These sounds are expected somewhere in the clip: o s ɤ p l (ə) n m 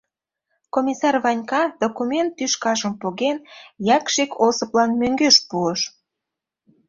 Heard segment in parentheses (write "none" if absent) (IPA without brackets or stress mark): ɑ